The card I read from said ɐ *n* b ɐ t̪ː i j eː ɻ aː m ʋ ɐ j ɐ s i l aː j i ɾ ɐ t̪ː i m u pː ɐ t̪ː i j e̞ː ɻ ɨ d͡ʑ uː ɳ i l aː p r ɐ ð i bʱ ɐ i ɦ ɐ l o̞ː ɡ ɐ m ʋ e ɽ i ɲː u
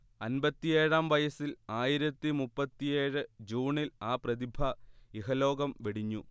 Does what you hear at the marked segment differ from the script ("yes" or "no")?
no